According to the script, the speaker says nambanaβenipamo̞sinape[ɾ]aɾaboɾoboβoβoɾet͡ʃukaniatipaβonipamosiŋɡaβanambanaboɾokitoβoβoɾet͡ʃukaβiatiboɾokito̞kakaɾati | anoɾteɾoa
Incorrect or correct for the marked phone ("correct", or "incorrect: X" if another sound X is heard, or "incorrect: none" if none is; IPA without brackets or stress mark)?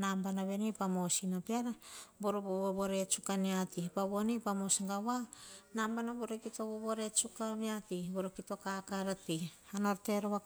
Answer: incorrect: none